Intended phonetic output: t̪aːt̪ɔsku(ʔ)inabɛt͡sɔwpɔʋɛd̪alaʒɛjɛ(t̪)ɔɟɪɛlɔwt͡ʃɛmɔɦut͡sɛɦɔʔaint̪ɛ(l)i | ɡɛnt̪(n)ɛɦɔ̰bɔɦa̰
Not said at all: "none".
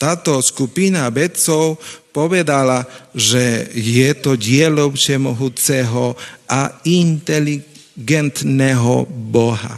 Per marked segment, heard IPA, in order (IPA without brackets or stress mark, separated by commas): p, t̪, l, n